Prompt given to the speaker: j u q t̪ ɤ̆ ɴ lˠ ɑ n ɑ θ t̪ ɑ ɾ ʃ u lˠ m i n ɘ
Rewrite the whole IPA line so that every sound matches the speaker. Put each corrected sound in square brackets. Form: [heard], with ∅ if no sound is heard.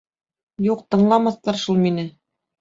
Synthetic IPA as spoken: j u q t̪ ɤ̆ ɴ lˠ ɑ [m] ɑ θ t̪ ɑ ɾ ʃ u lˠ m i n ɘ

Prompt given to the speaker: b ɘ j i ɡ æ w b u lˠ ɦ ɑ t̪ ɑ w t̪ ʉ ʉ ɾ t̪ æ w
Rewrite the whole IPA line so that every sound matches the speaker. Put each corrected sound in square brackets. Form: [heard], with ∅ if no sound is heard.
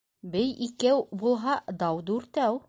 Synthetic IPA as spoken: b ɘ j i [k] æ w b u lˠ ɦ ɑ [d̪] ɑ w [d̪] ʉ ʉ ɾ t̪ æ w

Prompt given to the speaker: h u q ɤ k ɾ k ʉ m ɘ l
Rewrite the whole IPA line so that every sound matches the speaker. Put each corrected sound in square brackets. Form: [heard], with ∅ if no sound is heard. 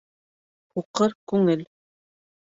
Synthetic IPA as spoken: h u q ɤ [∅] ɾ k ʉ [ŋ] ɘ l

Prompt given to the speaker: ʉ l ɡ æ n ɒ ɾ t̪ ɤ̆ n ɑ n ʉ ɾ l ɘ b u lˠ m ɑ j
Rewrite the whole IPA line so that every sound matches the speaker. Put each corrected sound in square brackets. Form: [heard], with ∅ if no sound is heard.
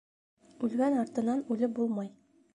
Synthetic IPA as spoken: ʉ l ɡ æ n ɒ ɾ t̪ ɤ̆ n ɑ n ʉ [∅] l ɘ b u lˠ m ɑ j

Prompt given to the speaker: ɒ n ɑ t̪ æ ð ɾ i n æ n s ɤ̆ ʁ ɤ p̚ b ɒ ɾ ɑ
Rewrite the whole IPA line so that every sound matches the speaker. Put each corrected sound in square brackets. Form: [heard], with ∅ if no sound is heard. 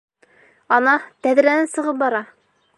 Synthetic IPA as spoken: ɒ n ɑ t̪ æ ð ɾ [æ] n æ n s ɤ̆ ʁ ɤ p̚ b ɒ ɾ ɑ

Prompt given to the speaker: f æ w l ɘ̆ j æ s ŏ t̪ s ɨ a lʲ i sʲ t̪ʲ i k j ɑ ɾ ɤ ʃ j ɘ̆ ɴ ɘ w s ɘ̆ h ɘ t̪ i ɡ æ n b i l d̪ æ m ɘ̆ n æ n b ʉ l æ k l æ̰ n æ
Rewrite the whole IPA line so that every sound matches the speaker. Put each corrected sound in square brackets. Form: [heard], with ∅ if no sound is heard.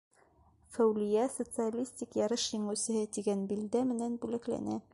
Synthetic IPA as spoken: f æ w l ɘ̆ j æ s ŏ t̪ s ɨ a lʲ i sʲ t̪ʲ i k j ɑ ɾ ɤ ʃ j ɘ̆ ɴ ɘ w s ɘ̆ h ɘ t̪ i ɡ æ n b i l d̪ æ m ɘ̆ n æ n b ʉ l æ k l æ̰ n æ

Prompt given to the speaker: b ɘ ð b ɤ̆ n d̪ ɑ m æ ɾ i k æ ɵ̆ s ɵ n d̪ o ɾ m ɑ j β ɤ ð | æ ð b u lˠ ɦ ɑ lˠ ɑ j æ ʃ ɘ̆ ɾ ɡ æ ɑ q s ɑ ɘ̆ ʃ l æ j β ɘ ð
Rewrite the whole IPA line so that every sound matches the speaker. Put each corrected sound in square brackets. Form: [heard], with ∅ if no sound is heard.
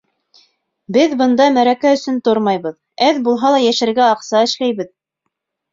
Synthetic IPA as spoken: b ɘ ð b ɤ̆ n d̪ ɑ m æ ɾ [æ] k æ ɵ̆ s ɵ n [t̪] o ɾ m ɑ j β ɤ ð | æ ð b u lˠ ɦ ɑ lˠ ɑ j æ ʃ ɘ̆ ɾ ɡ æ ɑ q s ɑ ɘ̆ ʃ l æ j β ɘ ð

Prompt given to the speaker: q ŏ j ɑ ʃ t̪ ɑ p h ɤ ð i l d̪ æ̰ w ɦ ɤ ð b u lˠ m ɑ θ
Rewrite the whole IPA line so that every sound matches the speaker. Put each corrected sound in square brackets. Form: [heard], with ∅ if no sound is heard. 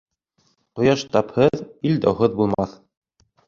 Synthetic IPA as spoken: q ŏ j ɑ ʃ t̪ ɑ p h ɤ ð i l d̪ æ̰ w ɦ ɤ ð b u lˠ m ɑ θ

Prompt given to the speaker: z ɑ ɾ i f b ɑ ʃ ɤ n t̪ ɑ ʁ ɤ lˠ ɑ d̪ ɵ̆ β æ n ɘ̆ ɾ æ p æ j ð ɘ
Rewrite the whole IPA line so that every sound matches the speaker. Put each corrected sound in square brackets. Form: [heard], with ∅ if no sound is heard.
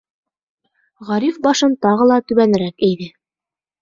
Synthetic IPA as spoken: [ʁ] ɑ ɾ i f b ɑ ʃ ɤ n t̪ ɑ ʁ ɤ lˠ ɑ [t̪] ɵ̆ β æ n ɘ̆ ɾ æ [k] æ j ð ɘ

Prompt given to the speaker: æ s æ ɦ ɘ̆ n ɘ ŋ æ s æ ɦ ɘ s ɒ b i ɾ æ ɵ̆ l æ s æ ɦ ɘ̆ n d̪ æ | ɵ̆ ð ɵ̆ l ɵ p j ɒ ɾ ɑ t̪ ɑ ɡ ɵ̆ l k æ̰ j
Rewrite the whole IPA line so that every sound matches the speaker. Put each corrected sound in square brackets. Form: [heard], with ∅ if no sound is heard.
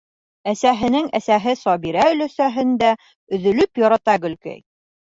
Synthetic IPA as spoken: æ s æ ɦ ɘ̆ n ɘ ŋ æ s æ ɦ ɘ s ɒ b i ɾ æ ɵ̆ l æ s æ ɦ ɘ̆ n d̪ æ | ɵ̆ ð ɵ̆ l ɵ p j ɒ ɾ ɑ t̪ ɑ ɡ ɵ̆ l k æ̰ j

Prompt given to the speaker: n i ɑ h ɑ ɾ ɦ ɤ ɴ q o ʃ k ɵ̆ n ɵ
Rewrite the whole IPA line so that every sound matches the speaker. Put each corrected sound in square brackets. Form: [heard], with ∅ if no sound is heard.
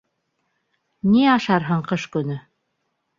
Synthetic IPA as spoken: n i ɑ [ʃ] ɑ ɾ ɦ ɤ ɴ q [ɤ] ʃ k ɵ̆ n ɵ

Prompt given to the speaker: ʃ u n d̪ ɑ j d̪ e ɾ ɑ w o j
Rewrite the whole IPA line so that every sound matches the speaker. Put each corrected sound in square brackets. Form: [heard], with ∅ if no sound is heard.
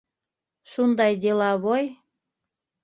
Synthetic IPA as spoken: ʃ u n d̪ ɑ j d̪ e [l] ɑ [β] o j

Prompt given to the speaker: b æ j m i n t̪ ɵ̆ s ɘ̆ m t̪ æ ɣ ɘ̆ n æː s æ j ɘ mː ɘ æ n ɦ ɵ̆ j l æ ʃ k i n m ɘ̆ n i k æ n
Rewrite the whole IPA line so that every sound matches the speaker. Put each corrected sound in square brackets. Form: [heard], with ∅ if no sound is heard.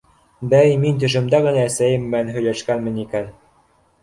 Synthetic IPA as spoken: b æ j m i n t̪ ɵ̆ [ʃ] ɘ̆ m [d̪] æ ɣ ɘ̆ n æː s æ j ɘ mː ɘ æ n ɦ ɵ̆ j l æ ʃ k [æ] n m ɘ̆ n i k æ n

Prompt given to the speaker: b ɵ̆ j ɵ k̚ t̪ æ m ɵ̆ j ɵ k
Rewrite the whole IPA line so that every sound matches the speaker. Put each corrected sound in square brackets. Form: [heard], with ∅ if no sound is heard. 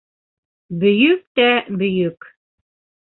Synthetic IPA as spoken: b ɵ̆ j ɵ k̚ t̪ æ [b] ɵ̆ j ɵ k

